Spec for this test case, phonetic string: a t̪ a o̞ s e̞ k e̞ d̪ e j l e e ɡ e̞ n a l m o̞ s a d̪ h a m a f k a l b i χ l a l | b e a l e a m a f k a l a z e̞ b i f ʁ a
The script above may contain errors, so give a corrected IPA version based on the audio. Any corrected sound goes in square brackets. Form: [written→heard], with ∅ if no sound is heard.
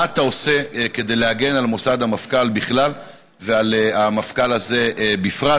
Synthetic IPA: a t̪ a o̞ s e̞ k e̞ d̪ e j l e [e→a] ɡ e̞ n a l m o̞ s a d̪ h a m a f k a l b i χ l a l | [b→v] e a l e a m a f k a l a z e̞ b i f ʁ a

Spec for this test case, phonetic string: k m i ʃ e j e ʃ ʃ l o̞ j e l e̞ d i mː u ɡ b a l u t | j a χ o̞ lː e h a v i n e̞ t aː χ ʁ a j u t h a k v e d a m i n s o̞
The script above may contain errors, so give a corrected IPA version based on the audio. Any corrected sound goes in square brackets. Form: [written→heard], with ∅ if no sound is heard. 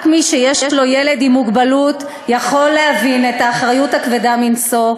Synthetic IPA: k m i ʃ e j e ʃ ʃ l o̞ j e l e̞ d i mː u ɡ b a l u t | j a χ o̞ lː e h a v i n e̞ t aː χ ʁ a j u t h a k v e d a m i n s o̞

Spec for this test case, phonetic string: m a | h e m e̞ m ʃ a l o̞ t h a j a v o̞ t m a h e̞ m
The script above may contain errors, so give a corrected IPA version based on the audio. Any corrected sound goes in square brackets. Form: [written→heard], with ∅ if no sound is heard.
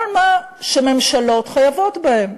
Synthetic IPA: m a | [h→ʃ] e m e̞ m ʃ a l o̞ t [h→χ] a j a v o̞ t [m→b] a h e̞ m

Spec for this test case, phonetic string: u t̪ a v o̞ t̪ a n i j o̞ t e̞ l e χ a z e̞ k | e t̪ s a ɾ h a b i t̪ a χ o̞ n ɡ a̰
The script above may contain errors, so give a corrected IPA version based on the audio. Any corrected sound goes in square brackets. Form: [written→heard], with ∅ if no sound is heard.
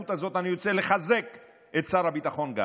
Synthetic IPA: u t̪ a [v→z] o̞ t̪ a n i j o̞ [t→t͡s] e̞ l e χ a z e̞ k | e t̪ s a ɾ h a b i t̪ a χ o̞ n ɡ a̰

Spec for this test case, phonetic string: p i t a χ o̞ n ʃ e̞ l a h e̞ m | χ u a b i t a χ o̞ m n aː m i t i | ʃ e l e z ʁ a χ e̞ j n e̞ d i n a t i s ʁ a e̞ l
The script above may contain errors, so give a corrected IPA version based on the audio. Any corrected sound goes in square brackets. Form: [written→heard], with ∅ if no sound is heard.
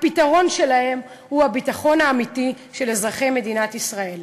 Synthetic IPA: p i t a [χ→ʁ] o̞ n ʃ e̞ l a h e̞ m | [χ→h] u a b i t a χ o̞ [m→∅] n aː m i t i | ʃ e l e z ʁ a χ e̞ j [n→m] e̞ d i n a t i s ʁ a e̞ l

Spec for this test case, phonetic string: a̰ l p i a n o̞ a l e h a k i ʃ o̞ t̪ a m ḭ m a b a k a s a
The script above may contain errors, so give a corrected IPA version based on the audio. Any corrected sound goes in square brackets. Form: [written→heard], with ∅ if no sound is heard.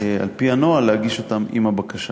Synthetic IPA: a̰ l p i a n o̞ a l e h a [k→ɡ] i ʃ o̞ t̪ a m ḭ m a b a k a [s→ʃ] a

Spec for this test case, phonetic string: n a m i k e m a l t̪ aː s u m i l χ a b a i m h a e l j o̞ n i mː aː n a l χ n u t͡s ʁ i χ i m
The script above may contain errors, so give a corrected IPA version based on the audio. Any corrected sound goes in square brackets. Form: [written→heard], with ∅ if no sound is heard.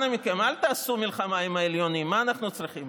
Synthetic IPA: n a m i k e m a l t̪ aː s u m i l χ a [b→m] a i m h a e l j o̞ n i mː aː n a [l→∅] χ n u t͡s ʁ i χ i m

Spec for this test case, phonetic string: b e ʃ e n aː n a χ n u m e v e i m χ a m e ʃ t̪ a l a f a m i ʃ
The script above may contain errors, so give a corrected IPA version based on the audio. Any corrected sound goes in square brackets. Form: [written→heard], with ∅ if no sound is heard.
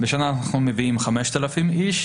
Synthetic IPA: b e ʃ [e→a] n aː n a χ n u m e v [e→i] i m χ a m e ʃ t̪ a l a f [a→i] m i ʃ

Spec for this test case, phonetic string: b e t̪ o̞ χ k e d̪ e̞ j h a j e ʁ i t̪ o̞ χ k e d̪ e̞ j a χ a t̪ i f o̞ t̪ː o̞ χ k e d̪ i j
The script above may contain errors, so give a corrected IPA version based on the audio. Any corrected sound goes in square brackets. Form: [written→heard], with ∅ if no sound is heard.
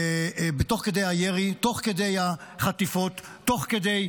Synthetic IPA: b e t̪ o̞ χ k e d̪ e̞ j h a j e ʁ i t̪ o̞ χ k e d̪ e̞ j a χ a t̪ i f o̞ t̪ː o̞ χ k e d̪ [i→e] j

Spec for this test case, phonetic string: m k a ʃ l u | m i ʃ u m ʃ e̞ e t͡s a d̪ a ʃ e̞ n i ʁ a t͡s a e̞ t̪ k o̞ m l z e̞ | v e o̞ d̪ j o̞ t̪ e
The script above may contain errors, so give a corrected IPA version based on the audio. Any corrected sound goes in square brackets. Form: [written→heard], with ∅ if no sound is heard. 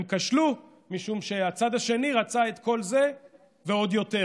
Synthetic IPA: m k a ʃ l u | m i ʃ u m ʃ e̞ [e→a] t͡s a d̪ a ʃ e̞ n i ʁ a t͡s a e̞ t̪ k o̞ [m→∅] l z e̞ | v e o̞ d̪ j o̞ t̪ e

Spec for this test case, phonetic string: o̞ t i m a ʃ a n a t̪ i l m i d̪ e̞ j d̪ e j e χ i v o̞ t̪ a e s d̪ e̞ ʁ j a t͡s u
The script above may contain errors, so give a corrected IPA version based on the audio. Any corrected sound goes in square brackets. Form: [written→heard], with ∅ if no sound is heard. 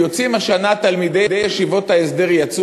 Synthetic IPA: o̞ [t→t͡s] i m a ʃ a n a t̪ [i→a] l m i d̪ e̞ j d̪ e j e [χ→ʃ] i v o̞ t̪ a e s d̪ e̞ ʁ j a t͡s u

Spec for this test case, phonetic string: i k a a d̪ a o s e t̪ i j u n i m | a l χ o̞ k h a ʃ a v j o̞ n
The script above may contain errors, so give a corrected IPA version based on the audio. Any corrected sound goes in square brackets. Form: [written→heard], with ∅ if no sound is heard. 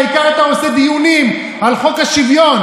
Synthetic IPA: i k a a [d̪→t̪] a o s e [t̪→d̪] i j u n i m | a l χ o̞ k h a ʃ [a→i] v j o̞ n

